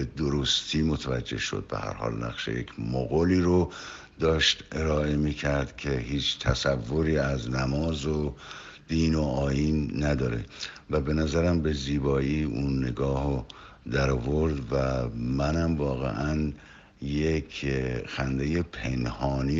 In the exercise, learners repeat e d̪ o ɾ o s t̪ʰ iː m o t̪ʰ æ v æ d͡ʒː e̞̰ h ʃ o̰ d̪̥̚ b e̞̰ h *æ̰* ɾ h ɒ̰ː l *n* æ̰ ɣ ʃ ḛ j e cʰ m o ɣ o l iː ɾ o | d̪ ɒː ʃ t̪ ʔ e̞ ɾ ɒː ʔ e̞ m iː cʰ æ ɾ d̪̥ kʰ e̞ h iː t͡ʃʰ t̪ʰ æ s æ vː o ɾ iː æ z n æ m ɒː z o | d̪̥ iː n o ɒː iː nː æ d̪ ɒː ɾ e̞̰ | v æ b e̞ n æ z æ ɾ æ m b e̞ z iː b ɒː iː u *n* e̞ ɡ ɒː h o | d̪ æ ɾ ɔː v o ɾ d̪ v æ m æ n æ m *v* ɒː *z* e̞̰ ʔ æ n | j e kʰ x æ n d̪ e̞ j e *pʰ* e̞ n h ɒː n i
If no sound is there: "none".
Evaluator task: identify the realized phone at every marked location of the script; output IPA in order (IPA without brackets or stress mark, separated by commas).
æ̰, n, nː, v, ɣ, pʰ